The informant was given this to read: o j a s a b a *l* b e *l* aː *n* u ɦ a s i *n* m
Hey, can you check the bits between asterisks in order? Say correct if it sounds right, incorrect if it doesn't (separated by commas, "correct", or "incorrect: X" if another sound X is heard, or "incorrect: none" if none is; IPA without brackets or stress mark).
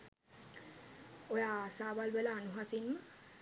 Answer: correct, correct, correct, correct